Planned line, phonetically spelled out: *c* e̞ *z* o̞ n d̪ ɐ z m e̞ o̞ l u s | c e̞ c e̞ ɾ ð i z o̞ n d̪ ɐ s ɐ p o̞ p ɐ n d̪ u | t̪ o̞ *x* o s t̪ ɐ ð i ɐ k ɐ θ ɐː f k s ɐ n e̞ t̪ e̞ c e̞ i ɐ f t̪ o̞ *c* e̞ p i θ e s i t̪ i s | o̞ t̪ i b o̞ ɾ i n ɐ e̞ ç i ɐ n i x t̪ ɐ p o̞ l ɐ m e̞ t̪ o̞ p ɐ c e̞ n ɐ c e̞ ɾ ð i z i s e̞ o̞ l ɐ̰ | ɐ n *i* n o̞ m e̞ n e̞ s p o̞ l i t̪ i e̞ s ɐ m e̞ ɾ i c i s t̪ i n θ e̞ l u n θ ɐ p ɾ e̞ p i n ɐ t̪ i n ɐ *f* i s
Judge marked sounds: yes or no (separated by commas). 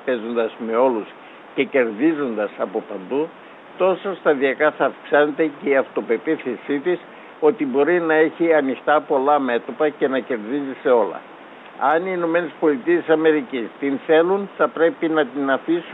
no, yes, no, no, no, yes